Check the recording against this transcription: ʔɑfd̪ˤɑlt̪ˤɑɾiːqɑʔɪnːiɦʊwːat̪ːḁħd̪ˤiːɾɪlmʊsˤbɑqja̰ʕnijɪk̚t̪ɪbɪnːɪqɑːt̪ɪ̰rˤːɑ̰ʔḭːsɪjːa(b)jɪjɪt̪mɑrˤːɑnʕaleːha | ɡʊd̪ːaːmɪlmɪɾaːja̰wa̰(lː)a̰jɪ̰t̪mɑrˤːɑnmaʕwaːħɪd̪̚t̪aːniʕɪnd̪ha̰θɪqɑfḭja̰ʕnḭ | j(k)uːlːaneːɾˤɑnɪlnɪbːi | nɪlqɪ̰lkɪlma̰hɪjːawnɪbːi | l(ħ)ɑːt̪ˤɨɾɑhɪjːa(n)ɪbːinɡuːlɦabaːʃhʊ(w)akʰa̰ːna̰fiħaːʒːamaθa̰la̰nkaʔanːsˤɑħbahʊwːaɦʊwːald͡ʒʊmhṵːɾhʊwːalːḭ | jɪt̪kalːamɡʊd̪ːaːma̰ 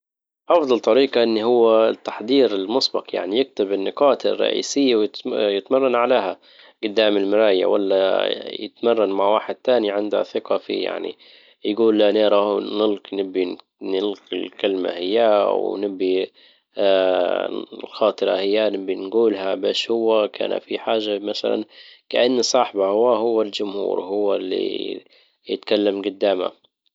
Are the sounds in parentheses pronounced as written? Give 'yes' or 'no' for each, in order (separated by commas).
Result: no, yes, no, no, yes, no